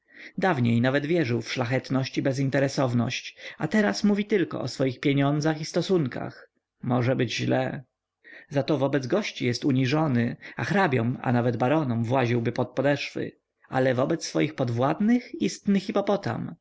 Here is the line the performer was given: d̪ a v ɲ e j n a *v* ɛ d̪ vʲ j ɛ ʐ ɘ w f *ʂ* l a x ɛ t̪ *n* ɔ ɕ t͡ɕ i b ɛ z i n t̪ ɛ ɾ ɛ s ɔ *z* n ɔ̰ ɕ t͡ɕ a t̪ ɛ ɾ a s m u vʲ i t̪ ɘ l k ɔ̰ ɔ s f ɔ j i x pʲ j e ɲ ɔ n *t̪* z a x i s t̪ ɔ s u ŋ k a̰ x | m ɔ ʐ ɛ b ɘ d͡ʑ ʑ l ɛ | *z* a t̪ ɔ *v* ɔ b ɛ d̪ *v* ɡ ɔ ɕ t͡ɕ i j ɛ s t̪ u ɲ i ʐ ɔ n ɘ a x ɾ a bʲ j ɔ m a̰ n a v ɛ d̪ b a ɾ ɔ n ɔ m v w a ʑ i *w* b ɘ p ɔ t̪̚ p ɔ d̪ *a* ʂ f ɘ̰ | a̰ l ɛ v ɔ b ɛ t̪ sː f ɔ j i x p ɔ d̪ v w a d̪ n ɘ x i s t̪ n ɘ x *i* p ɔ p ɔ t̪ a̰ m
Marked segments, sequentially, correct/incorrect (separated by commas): correct, correct, correct, incorrect, incorrect, correct, correct, incorrect, correct, incorrect, correct